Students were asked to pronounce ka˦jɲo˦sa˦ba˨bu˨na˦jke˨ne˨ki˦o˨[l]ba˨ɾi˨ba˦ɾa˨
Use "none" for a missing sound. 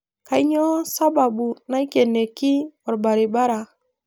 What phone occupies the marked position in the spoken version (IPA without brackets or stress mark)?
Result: ɾ